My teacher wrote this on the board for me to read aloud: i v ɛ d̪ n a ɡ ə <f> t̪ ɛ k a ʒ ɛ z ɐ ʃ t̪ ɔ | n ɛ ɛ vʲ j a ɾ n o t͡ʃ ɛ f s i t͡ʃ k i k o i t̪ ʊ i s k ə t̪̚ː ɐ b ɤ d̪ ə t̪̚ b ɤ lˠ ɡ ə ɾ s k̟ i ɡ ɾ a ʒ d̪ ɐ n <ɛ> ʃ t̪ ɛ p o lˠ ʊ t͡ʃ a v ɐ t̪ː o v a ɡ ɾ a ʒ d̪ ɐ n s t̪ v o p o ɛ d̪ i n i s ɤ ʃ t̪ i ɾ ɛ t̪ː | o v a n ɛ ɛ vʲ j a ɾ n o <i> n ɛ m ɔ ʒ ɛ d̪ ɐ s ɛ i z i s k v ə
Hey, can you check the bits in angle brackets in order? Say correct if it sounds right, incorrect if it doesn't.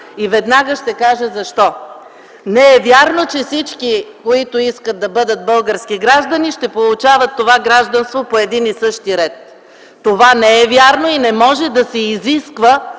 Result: incorrect: ʃ, incorrect: i, correct

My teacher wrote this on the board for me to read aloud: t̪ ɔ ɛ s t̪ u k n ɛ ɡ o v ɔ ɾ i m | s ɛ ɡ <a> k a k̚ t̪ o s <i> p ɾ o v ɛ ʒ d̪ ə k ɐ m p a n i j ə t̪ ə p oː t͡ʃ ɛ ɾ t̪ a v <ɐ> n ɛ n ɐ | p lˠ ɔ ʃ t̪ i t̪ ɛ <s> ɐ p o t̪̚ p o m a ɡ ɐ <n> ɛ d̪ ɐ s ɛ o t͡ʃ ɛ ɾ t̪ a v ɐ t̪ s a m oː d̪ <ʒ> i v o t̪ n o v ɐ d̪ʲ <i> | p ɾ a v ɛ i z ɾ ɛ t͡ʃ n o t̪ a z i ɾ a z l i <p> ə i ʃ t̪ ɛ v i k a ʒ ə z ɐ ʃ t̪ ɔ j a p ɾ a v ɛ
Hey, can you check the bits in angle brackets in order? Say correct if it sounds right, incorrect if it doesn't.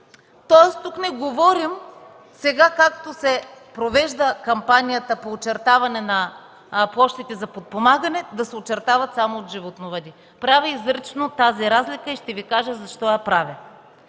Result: correct, incorrect: ɛ, correct, incorrect: z, correct, correct, correct, incorrect: k

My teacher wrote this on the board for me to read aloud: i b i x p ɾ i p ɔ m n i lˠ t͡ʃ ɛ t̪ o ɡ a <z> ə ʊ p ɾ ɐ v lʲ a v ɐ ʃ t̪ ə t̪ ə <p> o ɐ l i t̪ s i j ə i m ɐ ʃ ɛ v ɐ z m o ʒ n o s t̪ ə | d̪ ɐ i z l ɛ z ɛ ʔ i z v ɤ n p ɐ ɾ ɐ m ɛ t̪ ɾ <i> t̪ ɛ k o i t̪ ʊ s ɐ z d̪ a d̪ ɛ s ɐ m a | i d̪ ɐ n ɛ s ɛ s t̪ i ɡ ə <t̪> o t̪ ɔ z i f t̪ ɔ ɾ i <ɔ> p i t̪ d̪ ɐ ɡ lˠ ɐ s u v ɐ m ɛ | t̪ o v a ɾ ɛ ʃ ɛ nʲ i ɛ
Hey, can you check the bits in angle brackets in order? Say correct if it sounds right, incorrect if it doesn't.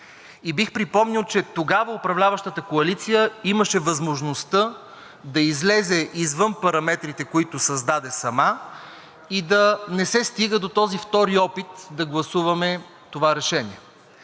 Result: incorrect: v, incorrect: k, correct, incorrect: d̪, correct

